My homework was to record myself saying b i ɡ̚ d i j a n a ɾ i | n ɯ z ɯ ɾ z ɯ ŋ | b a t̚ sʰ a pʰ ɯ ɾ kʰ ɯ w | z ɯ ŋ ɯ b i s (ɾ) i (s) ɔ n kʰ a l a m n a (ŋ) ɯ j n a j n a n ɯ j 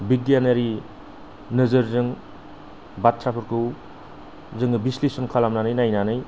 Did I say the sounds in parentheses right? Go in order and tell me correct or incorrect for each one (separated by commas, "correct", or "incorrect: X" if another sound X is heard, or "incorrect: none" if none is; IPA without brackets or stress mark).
incorrect: l, correct, incorrect: n